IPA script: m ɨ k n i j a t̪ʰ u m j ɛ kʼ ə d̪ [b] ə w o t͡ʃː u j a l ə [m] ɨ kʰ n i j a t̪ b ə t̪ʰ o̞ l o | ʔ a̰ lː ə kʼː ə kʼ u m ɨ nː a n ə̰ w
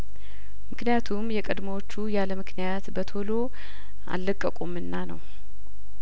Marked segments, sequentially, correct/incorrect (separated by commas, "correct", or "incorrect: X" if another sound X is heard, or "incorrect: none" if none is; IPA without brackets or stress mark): incorrect: m, correct